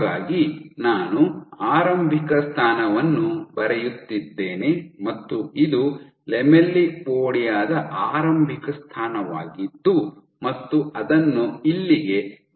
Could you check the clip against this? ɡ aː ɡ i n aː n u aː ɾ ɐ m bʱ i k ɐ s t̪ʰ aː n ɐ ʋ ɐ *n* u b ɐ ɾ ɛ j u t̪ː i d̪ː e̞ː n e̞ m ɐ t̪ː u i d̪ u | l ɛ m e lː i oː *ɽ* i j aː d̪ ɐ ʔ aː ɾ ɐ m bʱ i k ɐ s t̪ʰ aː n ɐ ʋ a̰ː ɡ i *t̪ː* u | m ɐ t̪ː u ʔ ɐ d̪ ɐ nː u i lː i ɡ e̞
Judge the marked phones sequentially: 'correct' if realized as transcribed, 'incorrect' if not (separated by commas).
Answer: incorrect, correct, incorrect